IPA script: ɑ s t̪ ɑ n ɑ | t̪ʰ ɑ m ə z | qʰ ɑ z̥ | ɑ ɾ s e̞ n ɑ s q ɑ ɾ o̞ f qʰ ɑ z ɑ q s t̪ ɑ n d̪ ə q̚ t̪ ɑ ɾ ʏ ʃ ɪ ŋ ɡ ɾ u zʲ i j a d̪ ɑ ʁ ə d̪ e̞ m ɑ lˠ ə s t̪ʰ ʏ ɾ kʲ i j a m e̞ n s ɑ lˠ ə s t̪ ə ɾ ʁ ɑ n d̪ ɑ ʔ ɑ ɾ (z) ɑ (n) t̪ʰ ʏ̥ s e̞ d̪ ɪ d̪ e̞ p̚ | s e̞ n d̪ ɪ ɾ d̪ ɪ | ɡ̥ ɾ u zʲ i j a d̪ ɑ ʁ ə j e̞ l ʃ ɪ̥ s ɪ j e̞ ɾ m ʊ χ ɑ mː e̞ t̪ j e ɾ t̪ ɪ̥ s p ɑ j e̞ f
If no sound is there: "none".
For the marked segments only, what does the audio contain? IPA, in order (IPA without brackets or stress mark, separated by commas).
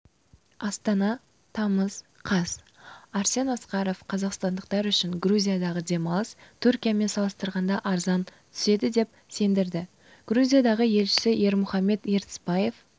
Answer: z, n